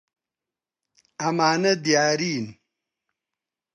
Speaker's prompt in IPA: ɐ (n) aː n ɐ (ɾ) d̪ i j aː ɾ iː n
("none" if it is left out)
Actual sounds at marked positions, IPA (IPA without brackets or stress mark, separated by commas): m, none